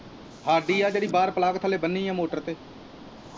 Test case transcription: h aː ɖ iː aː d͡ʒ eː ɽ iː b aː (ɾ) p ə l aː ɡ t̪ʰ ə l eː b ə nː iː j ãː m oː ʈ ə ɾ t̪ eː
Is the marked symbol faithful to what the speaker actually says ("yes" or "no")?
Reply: yes